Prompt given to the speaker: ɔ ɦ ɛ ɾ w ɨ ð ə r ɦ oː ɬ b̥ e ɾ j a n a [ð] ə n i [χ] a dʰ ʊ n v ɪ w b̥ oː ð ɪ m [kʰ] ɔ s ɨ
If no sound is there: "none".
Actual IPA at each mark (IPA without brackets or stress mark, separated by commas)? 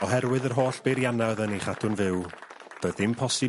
ð, χ, pʰ